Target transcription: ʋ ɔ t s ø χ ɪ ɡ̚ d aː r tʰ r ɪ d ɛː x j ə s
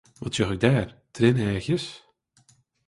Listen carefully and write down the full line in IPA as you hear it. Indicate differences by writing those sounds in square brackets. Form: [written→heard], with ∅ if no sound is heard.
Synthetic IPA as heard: ʋ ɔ t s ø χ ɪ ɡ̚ d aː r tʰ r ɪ [d→n] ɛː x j ə s